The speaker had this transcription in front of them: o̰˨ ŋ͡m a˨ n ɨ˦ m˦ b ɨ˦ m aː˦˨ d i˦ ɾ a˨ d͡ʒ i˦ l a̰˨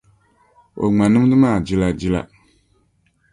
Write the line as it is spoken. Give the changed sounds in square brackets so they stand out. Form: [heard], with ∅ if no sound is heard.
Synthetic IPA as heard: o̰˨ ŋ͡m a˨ n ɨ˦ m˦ [d] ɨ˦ m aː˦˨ [d͡ʒ] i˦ [l] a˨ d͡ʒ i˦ l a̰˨